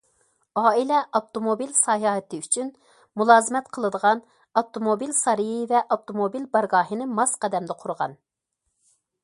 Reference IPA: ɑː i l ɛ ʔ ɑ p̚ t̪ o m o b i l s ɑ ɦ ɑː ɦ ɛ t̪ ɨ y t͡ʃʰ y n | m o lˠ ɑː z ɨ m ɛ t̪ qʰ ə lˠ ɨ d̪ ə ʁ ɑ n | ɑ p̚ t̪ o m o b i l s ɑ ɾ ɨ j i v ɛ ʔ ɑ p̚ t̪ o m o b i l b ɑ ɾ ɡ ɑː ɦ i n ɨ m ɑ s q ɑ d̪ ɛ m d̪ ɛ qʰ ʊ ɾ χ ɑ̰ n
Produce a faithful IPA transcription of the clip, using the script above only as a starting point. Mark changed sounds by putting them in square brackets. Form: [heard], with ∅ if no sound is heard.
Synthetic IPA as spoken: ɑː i l ɛ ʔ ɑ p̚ t̪ o m o b i l s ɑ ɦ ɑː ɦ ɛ t̪ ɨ y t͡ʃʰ y n | m [u] lˠ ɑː z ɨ m ɛ t̪ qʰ ə lˠ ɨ d̪ ə ʁ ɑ n | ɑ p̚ t̪ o m o b i l s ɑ ɾ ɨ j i v ɛ ʔ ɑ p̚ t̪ o m o b i l b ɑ ɾ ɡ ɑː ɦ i n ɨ m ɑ s q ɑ d̪ ɛ m d̪ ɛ qʰ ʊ ɾ [ʁ] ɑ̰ n